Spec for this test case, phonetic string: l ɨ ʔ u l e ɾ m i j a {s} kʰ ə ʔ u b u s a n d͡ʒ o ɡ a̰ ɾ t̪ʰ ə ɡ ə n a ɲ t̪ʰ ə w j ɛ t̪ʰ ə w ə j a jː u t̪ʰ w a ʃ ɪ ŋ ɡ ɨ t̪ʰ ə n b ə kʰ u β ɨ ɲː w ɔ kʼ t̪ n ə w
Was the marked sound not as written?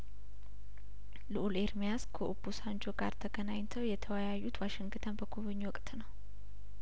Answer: no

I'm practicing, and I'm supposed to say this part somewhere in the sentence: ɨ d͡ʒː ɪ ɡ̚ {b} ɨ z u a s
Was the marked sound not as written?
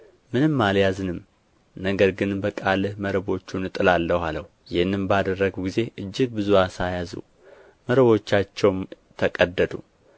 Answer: no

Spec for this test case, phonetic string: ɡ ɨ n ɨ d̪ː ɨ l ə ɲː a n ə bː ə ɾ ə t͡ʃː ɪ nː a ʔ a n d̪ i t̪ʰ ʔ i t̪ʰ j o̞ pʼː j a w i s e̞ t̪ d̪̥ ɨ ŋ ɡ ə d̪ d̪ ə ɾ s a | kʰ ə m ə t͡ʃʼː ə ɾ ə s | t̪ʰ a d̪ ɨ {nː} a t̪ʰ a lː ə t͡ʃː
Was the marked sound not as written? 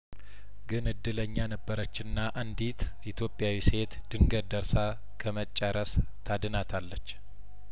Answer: yes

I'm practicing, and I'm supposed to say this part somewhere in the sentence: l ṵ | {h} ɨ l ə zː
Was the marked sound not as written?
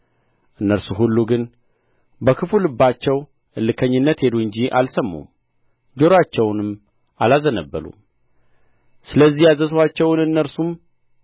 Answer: yes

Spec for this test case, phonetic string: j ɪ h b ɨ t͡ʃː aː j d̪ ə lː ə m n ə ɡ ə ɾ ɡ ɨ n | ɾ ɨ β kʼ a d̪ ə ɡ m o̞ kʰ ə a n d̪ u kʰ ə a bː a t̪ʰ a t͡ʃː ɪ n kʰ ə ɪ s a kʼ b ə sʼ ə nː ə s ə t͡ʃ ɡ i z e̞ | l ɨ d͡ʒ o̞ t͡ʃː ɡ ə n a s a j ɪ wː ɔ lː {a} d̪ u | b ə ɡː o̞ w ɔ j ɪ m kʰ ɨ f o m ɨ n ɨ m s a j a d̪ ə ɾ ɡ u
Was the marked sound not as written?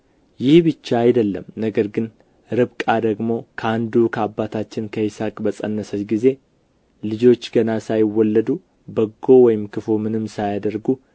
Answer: yes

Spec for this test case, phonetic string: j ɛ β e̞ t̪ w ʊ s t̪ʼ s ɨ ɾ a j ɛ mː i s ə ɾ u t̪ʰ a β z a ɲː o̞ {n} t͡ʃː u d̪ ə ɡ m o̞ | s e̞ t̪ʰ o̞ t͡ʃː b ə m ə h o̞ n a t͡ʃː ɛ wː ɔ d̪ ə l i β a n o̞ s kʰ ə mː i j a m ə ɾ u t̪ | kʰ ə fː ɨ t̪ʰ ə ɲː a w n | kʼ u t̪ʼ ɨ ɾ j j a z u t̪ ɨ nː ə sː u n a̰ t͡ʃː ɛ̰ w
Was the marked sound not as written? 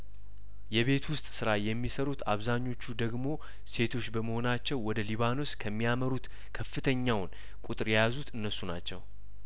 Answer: yes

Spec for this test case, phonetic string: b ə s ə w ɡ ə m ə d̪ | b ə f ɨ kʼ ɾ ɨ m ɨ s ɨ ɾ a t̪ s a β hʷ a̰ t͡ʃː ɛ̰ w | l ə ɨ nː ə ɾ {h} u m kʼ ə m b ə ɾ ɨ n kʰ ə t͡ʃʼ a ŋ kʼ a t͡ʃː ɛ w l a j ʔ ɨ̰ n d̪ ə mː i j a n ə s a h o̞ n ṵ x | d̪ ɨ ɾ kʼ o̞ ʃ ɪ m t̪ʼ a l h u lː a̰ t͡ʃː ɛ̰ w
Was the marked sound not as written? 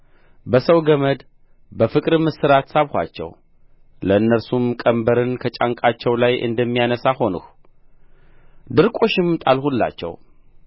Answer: yes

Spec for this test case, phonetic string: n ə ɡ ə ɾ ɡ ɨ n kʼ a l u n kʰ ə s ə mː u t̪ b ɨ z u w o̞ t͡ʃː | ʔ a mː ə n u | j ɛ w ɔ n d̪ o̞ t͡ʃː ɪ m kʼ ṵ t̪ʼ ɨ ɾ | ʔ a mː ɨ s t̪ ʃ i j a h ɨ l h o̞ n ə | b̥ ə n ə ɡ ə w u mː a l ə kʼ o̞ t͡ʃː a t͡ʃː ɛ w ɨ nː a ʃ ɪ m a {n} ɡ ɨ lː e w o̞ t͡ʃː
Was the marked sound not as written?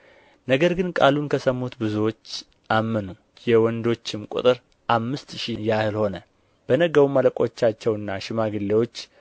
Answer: yes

